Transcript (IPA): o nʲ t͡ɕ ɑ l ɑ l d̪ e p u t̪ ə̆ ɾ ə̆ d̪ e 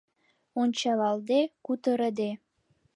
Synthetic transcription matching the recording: o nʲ t͡ɕ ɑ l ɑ l d̪ e k u t̪ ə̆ ɾ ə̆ d̪ e